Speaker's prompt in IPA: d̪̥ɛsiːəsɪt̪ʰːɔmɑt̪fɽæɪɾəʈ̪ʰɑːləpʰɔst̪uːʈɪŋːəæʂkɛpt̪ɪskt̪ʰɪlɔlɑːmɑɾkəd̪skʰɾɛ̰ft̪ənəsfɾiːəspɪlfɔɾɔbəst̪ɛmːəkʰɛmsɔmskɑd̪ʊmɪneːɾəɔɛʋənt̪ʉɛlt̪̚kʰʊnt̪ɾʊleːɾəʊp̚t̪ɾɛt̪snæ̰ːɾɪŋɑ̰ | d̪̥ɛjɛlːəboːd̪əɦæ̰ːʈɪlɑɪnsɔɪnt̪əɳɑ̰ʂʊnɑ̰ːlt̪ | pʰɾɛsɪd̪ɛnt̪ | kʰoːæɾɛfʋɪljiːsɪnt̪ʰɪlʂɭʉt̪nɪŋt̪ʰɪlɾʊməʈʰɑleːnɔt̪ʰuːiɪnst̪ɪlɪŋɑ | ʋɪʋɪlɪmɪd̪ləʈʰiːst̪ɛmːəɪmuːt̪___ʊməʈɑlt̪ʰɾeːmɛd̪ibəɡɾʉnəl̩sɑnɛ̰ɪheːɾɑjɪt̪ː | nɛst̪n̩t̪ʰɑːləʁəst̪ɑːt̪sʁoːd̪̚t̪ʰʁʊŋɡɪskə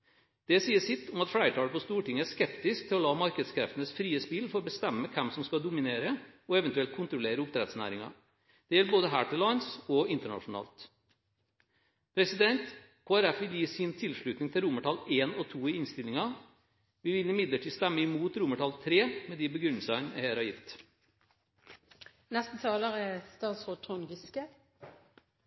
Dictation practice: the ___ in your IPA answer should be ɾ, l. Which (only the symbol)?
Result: ɾ